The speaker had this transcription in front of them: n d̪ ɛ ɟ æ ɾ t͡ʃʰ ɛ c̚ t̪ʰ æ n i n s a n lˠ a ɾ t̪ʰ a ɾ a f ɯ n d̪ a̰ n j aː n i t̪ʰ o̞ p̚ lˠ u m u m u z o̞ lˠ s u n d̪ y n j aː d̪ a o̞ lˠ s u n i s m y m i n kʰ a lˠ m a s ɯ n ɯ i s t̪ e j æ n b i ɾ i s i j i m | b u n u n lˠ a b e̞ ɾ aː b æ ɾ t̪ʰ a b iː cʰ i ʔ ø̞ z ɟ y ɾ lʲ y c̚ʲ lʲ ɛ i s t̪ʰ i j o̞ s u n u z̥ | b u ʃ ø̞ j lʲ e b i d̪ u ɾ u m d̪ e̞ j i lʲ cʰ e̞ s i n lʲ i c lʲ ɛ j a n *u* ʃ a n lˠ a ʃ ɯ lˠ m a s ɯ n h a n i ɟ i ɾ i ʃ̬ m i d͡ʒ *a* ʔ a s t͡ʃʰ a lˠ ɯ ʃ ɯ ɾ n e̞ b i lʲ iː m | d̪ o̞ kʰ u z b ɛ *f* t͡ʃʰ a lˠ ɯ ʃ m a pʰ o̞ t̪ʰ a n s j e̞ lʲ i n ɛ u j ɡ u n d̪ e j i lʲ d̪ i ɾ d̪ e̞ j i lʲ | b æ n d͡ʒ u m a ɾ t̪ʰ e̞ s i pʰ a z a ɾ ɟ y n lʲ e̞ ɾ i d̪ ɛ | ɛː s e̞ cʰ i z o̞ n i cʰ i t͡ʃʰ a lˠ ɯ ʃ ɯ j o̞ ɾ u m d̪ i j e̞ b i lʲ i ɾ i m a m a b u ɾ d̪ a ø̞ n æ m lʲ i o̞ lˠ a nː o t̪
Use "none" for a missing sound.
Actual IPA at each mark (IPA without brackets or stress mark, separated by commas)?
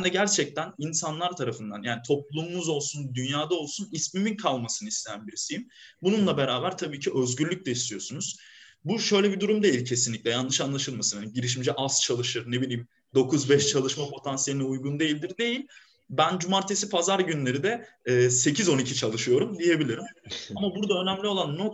ɯ, ɛ, ʃ